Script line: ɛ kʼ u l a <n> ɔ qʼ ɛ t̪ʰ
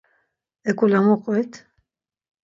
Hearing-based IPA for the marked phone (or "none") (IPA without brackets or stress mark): m